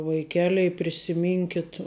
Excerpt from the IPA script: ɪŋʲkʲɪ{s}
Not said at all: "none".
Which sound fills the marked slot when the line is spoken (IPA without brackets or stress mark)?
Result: t